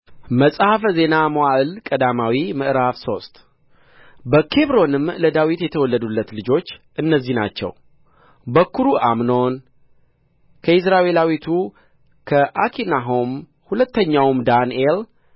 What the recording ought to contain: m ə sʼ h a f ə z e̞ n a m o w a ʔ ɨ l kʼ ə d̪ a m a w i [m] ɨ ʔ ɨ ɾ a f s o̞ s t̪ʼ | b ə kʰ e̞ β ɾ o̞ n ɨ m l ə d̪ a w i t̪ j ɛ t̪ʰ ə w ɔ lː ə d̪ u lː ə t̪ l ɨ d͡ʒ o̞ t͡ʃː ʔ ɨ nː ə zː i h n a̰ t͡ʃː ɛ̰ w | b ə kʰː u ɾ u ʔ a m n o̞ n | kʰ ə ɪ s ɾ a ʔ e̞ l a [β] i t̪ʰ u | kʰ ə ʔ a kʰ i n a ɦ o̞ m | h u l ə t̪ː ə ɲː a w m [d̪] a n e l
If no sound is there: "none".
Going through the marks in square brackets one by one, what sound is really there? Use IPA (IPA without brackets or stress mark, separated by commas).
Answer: m, w, d̪